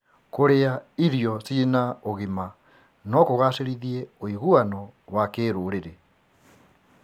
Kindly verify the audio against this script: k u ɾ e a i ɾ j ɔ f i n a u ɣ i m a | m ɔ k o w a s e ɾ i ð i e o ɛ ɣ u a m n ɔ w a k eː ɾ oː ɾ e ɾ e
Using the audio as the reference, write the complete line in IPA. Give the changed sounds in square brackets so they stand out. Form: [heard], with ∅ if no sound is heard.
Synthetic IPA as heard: k [o] ɾ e a i ɾ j ɔ [s] i n a [o] ɣ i m a | [n] ɔ k o [ɣ] a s e ɾ i ð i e o [i] ɣ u a [∅] n ɔ w a k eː ɾ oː ɾ e ɾ e